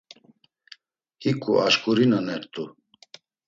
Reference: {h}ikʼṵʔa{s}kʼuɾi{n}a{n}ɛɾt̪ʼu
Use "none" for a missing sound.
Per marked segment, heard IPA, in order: h, ʃ, n, n

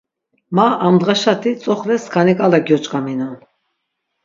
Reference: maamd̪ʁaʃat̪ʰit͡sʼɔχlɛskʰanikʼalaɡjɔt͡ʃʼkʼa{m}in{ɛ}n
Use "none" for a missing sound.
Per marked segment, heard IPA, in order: m, a

